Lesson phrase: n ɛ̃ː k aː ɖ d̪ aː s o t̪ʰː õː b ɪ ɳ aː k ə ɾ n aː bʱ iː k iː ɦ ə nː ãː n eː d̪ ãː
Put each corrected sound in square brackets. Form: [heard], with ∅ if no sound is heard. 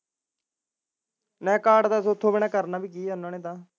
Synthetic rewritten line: n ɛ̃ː k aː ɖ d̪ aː s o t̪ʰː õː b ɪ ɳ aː k ə ɾ n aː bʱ iː k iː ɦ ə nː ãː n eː [t̪] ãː